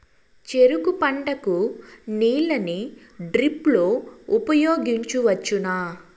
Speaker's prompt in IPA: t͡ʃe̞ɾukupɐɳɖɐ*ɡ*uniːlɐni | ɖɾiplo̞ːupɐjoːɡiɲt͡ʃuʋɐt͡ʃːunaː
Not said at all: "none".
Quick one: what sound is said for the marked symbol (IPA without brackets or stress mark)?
k